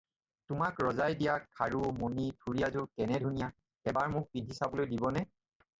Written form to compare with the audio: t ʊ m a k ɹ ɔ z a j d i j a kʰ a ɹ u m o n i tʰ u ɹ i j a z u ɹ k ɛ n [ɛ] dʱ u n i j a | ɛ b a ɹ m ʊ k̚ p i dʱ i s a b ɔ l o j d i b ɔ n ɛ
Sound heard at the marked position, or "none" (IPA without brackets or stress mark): ɛ